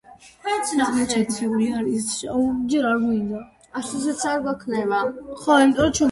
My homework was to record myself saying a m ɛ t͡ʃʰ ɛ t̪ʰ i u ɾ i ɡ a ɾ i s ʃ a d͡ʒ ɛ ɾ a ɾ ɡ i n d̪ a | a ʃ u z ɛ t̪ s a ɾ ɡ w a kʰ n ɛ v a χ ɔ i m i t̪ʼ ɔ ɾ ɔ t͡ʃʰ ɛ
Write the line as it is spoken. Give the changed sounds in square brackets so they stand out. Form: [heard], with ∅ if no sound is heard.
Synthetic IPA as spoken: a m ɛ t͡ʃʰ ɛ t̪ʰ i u ɾ i [∅] a ɾ i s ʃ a d͡ʒ ɛ ɾ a ɾ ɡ i n d̪ a | a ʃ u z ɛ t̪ s a ɾ ɡ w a kʰ n ɛ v a χ ɔ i m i t̪ʼ ɔ ɾ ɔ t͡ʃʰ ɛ